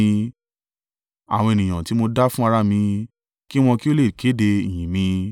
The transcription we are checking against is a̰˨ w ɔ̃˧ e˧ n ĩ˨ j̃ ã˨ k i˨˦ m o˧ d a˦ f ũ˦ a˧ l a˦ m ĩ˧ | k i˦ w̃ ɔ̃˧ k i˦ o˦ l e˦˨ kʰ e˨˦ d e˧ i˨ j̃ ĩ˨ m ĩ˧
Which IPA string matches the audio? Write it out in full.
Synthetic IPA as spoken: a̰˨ w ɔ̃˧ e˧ n ĩ˨ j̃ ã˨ t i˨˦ m o˧ d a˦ f ũ˦ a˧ ɾ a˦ m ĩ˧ | k i˦ w̃ ɔ̃˧ k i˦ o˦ l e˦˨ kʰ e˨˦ d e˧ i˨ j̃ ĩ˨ m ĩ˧